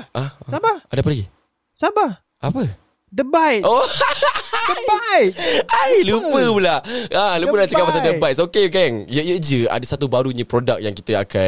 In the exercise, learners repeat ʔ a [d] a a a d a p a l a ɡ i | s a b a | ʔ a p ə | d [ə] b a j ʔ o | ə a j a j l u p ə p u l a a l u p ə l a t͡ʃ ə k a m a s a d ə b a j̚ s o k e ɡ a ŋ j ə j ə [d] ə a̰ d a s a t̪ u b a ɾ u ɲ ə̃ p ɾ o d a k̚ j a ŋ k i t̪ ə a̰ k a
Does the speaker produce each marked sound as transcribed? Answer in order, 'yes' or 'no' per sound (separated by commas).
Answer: no, yes, no